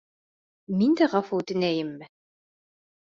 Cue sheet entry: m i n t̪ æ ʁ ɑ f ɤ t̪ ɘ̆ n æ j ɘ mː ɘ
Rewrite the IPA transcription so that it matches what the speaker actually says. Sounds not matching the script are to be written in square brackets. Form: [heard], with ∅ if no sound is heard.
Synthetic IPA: m i n [d̪] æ ʁ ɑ f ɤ t̪ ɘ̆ n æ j ɘ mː ɘ